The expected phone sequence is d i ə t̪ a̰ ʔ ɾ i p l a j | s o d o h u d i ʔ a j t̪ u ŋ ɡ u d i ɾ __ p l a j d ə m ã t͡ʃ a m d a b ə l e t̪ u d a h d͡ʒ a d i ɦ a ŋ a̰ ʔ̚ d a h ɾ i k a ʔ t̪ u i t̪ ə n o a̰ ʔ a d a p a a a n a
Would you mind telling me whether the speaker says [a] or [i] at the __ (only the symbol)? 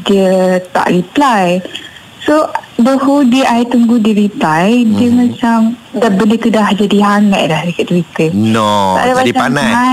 i